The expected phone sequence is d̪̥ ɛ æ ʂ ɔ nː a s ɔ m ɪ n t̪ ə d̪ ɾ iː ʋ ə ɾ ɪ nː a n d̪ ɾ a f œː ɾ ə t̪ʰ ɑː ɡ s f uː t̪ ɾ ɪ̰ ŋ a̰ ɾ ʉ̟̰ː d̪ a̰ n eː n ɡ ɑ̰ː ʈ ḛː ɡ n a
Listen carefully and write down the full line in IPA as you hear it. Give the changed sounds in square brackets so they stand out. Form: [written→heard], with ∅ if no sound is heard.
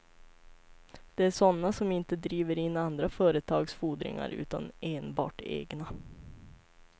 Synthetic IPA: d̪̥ ɛ æ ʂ ɔ nː a s ɔ m ɪ n t̪ ə d̪ ɾ iː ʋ ə ɾ ɪ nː a n d̪ ɾ a f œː ɾ ə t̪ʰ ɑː ɡ s f uː [t̪→d̪] ɾ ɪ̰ ŋ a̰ ɾ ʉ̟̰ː [d̪→t̪] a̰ n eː n [ɡ→b] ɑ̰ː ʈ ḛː ɡ n a